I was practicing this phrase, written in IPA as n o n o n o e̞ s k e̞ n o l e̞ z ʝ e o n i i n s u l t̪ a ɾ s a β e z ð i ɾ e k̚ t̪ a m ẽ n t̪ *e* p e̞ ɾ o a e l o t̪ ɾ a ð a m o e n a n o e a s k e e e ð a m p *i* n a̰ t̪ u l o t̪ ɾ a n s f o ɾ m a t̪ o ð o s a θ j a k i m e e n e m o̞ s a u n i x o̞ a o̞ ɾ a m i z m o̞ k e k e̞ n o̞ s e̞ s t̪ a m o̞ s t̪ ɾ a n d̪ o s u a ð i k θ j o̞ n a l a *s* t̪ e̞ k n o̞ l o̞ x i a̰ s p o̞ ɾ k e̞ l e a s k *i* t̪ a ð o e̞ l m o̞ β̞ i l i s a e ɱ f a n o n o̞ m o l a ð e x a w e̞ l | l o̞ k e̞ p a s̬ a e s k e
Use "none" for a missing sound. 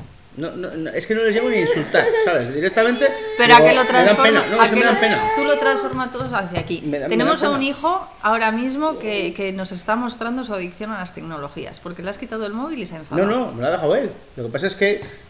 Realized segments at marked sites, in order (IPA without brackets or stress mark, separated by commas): e, e, s, i